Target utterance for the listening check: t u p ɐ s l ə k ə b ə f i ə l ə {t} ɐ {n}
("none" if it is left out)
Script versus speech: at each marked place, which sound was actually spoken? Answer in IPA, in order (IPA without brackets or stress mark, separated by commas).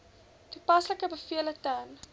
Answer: t, n